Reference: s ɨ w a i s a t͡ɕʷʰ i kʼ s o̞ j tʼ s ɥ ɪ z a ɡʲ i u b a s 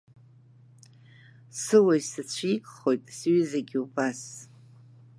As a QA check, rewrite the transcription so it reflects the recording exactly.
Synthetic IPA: s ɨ w a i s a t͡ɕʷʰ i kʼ χ o̞ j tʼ s ɥ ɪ z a ɡʲ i u b a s